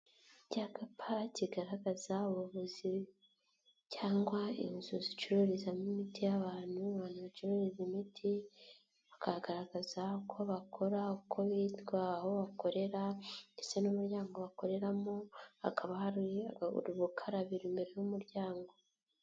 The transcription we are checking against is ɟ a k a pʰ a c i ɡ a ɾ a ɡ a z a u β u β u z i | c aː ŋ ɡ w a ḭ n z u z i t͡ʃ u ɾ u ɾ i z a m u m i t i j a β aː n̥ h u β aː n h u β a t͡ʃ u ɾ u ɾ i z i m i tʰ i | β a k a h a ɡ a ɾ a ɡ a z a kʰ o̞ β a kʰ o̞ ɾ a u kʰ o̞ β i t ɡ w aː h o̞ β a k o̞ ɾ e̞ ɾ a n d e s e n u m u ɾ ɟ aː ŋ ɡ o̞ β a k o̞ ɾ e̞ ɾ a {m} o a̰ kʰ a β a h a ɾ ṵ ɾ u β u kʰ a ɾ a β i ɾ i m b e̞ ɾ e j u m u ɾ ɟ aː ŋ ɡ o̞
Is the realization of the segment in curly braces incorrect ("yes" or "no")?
no